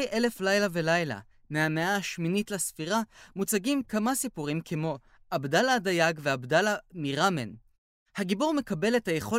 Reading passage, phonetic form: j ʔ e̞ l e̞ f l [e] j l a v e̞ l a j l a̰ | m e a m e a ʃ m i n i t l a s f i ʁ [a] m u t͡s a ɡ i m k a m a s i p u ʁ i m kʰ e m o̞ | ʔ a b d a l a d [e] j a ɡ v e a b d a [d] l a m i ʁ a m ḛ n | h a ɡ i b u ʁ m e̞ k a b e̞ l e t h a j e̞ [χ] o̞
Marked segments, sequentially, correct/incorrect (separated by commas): incorrect, correct, incorrect, incorrect, correct